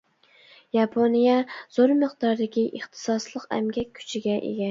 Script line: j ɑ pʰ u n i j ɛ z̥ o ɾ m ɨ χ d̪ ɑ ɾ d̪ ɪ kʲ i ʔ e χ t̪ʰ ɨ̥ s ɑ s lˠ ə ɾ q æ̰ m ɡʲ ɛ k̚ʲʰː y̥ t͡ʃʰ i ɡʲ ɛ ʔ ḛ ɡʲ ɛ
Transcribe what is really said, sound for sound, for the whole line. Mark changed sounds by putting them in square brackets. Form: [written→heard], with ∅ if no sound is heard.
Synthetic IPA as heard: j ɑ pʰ [u→o] n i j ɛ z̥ o ɾ m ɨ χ d̪ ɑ ɾ d̪ ɪ kʲ i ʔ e χ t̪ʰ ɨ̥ s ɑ s lˠ ə [ɾ→∅] q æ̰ m ɡʲ ɛ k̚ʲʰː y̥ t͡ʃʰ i ɡʲ ɛ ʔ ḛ ɡʲ ɛ